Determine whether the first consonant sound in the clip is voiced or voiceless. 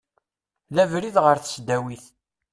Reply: voiced